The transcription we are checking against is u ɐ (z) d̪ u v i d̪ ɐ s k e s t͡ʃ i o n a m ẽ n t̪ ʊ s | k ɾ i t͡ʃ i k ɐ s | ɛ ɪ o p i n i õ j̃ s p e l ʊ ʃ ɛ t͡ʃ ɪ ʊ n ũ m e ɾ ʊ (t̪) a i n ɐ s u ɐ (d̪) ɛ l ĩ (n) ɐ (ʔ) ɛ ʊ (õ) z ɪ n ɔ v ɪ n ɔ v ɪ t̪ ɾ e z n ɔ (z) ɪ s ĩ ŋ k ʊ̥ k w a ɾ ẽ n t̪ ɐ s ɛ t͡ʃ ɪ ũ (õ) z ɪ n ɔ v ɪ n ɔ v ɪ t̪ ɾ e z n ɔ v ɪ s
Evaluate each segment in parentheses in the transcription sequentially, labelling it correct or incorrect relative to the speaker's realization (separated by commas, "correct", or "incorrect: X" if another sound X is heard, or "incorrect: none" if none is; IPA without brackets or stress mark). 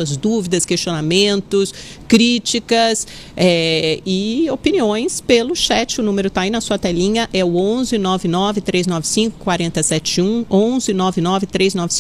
correct, correct, incorrect: t̪, incorrect: ɲ, correct, correct, incorrect: v, correct